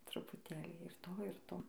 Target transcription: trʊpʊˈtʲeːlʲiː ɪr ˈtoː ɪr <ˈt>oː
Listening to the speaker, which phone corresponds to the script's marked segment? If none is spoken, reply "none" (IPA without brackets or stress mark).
t